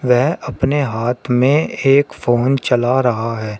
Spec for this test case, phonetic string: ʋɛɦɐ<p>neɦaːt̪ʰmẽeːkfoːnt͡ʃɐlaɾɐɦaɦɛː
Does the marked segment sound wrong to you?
no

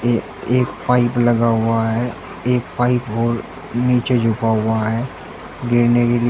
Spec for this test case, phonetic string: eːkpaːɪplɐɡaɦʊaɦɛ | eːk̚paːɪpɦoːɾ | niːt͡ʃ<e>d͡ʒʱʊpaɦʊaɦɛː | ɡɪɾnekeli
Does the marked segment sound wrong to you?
no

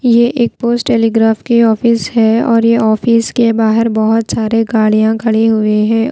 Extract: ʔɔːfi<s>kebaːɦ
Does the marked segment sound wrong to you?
no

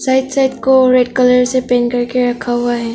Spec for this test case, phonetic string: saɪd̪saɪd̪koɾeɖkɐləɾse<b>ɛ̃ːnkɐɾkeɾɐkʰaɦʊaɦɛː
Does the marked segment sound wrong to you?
yes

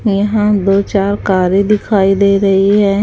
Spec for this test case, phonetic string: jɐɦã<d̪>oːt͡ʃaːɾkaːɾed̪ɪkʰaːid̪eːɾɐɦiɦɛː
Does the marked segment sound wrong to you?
no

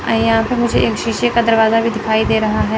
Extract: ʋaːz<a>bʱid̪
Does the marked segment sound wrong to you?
no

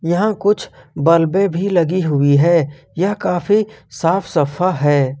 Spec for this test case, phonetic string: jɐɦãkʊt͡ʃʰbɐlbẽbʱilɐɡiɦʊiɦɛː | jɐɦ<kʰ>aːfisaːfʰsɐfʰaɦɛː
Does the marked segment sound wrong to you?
yes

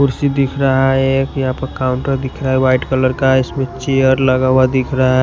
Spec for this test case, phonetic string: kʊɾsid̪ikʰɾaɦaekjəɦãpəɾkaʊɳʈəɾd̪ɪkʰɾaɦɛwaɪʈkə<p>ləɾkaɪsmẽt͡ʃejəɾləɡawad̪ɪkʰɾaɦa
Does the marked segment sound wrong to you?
yes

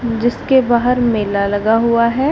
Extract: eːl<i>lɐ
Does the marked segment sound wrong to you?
yes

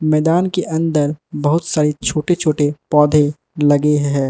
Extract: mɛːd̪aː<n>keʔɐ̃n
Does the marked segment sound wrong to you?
no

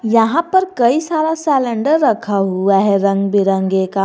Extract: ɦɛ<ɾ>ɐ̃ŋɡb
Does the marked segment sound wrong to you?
no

